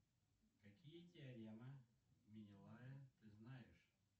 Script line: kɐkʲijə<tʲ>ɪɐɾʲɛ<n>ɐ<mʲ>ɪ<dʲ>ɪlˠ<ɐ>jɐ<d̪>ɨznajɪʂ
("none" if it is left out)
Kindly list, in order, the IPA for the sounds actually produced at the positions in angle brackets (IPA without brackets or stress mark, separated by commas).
tʲ, m, mʲ, nʲ, a, t̪